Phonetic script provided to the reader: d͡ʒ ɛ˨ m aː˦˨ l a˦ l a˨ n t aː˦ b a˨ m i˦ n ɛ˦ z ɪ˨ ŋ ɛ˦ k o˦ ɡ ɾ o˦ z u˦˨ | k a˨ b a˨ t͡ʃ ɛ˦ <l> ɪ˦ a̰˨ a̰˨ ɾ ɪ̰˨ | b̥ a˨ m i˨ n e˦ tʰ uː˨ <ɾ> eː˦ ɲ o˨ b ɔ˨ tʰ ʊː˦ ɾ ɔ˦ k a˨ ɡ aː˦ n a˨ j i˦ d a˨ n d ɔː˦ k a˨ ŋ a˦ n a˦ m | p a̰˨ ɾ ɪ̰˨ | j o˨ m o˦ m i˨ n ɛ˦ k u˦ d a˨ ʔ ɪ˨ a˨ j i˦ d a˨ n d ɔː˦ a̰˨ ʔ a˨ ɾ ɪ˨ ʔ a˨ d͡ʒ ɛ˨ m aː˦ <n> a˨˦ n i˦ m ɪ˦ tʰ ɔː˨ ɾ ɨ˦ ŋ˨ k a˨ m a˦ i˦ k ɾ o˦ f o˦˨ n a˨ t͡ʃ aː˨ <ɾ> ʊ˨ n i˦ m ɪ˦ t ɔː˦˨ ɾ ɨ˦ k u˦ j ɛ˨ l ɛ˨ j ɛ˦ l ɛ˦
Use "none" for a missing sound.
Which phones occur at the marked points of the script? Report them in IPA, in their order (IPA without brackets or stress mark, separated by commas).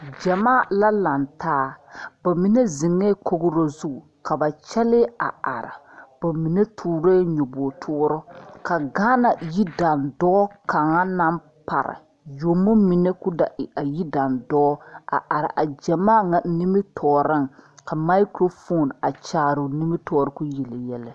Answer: l, ɾ, ŋ, ɾ